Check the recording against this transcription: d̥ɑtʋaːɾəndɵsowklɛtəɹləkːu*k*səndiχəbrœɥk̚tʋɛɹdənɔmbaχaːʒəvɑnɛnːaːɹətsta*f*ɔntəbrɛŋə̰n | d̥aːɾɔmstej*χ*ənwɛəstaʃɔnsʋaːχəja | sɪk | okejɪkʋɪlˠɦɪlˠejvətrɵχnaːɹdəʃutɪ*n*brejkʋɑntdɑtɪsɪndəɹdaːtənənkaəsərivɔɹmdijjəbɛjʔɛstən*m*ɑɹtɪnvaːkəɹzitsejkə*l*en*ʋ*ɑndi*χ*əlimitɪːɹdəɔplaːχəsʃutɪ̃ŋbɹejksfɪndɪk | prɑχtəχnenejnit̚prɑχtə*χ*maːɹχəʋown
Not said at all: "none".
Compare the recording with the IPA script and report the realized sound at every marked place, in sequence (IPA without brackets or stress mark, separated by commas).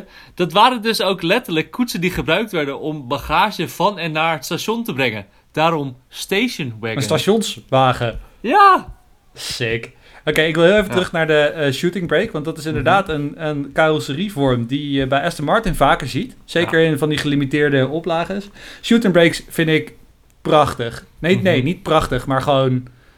t, ʃ, ʃ, ŋ, m, ɹ, v, χ, χ